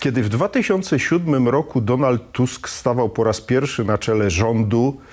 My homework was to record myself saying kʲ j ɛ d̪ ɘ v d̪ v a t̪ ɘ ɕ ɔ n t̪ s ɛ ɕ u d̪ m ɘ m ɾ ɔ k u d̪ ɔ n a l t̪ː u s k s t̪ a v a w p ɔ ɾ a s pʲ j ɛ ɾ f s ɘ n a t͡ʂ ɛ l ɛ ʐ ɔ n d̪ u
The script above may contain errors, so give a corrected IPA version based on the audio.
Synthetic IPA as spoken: kʲ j ɛ d̪ ɘ v d̪ v a t̪ ɘ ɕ ɔ n t̪ s ɛ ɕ u d̪ m ɘ m ɾ ɔ k u d̪ ɔ n a l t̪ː u s k s t̪ a v a w p ɔ ɾ a s pʲ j ɛ ɾ f ʂ ɘ n a t͡ʂ ɛ l ɛ ʐ ɔ n d̪ u